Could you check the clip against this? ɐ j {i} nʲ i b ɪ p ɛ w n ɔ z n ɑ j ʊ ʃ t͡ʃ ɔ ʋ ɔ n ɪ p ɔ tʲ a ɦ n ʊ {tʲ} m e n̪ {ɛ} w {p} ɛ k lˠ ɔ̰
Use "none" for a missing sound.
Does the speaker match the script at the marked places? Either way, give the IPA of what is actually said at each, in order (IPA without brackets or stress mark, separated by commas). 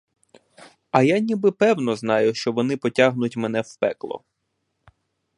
a, tʲ, ɛ, p